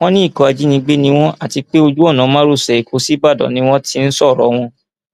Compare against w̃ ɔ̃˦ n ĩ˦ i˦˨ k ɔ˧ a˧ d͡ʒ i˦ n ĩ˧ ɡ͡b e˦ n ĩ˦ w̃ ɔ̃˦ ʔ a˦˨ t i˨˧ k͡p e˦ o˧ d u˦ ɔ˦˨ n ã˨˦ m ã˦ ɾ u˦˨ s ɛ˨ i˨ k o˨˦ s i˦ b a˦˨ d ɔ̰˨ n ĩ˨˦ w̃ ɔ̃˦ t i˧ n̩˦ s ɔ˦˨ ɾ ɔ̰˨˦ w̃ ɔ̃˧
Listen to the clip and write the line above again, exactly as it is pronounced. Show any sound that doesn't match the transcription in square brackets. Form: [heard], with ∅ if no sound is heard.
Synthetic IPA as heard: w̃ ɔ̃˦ n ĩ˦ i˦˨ k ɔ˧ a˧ d͡ʒ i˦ n ĩ˧ ɡ͡b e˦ n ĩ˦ w̃ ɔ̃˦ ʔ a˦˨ t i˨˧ k͡p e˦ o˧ [d͡ʒ] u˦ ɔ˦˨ n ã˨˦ m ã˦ ɾ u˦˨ s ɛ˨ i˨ k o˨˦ s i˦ b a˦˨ d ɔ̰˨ n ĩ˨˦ w̃ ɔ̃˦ t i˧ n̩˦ s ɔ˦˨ ɾ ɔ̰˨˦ w̃ ɔ̃˧